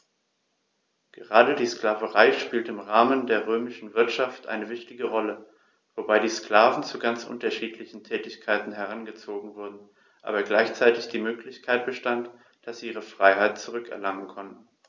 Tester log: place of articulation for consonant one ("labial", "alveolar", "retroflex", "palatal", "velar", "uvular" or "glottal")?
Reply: velar